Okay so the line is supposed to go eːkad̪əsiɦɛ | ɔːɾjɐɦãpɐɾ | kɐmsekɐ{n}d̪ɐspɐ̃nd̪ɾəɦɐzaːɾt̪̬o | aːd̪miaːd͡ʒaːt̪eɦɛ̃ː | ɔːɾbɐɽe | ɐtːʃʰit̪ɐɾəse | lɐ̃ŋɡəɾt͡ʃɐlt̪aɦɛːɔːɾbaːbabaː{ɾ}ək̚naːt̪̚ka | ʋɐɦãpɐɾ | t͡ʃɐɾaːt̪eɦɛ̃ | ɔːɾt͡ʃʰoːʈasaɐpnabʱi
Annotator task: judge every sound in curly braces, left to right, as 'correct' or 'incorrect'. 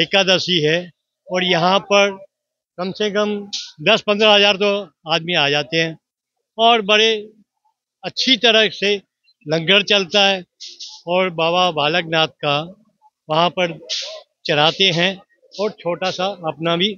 incorrect, incorrect

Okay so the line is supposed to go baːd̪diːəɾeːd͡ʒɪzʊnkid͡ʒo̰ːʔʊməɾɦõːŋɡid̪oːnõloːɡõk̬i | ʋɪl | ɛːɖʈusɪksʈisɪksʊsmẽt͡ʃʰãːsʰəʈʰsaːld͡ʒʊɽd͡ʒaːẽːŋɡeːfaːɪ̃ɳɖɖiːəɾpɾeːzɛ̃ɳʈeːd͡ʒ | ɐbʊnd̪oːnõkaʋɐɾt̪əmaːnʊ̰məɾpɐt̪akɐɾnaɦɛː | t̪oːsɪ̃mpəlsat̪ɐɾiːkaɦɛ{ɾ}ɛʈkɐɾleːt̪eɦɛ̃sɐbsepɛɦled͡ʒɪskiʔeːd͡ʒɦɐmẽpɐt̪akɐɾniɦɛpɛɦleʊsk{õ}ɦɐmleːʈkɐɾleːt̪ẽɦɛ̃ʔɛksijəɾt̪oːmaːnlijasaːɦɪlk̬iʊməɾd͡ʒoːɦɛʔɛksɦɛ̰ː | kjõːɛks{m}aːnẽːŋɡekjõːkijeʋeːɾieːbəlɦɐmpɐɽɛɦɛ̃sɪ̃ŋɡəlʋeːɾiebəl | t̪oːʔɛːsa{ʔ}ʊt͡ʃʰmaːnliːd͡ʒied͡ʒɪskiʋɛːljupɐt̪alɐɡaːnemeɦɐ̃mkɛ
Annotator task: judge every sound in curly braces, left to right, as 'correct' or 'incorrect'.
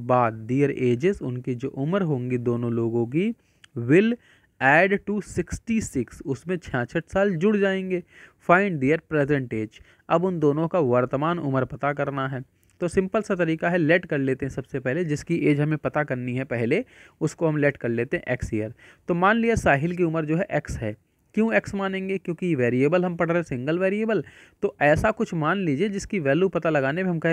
incorrect, incorrect, correct, incorrect

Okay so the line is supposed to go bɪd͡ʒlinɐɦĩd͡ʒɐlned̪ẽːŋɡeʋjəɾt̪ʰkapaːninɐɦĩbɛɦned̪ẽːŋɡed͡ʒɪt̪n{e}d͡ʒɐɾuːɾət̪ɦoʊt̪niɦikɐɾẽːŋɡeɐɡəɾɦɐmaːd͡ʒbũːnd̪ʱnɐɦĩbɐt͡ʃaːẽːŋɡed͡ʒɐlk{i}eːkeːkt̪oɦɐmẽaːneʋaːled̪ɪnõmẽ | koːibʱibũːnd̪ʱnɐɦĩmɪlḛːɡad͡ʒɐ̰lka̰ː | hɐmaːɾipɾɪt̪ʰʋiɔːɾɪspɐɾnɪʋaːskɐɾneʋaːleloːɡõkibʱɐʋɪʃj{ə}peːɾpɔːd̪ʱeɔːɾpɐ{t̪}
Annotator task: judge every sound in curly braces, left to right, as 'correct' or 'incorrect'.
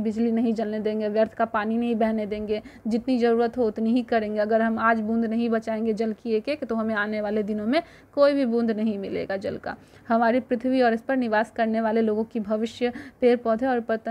incorrect, correct, correct, correct

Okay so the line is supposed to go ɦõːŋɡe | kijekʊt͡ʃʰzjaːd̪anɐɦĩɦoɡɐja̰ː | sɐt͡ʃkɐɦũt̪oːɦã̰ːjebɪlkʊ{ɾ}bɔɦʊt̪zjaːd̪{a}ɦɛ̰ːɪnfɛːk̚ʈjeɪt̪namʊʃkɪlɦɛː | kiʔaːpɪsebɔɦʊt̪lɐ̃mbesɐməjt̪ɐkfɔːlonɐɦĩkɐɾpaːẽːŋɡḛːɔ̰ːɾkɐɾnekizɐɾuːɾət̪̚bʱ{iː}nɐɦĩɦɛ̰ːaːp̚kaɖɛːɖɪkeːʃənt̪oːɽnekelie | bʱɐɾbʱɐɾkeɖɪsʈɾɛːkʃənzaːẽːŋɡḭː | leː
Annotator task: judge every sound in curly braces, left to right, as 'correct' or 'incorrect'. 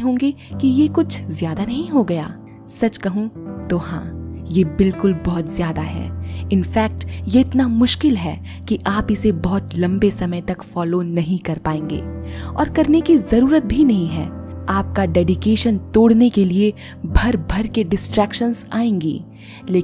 incorrect, correct, incorrect

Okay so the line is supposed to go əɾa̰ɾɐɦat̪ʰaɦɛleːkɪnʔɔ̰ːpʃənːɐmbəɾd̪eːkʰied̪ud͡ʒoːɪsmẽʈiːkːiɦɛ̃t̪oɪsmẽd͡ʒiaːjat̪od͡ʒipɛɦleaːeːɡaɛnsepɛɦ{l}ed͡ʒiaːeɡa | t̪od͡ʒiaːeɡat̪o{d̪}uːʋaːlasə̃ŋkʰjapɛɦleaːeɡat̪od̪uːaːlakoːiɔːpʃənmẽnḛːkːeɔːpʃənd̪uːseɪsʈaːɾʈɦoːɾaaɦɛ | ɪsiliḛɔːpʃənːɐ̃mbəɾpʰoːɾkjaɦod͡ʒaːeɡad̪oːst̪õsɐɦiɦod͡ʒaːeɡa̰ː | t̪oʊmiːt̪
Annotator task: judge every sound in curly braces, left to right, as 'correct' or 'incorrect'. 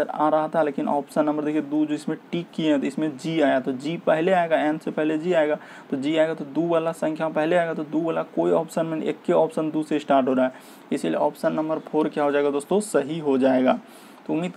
correct, correct

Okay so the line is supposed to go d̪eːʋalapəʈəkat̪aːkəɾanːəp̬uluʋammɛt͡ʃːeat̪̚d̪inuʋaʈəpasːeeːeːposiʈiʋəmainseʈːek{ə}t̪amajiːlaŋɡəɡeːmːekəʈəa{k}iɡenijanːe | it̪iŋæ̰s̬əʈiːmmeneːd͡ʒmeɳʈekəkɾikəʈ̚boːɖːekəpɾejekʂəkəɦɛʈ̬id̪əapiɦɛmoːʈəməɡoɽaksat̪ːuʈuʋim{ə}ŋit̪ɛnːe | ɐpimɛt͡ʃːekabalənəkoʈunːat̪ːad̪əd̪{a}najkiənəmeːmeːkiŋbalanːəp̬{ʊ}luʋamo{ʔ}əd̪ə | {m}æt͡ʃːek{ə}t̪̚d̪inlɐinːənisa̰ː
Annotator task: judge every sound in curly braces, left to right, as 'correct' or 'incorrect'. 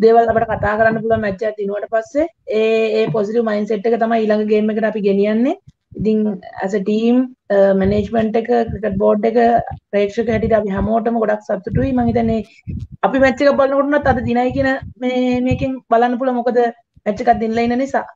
correct, incorrect, incorrect, incorrect, incorrect, incorrect, correct, incorrect

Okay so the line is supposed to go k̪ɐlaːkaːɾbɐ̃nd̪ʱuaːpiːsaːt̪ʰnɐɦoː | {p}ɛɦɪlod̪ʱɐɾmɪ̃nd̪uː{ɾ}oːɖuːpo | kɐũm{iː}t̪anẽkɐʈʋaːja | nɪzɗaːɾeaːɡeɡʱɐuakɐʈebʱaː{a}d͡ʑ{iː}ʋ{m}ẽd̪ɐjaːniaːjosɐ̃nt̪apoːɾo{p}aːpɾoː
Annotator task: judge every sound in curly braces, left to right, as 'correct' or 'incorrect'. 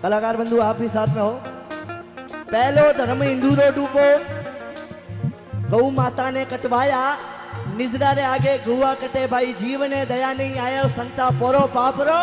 correct, correct, incorrect, incorrect, correct, incorrect, correct

